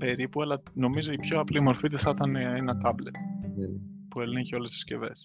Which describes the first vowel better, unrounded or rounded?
unrounded